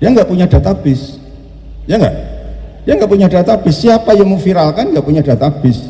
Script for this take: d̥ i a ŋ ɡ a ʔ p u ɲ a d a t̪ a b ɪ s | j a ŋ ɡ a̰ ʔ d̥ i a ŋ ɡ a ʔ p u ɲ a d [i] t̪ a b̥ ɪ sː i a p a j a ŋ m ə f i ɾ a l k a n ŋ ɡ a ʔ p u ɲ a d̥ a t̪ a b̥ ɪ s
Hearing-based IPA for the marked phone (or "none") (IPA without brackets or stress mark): a